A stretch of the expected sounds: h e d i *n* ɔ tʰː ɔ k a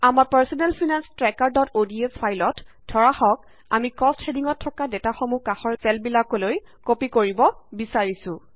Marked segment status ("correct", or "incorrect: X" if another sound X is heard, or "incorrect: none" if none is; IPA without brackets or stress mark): incorrect: ŋ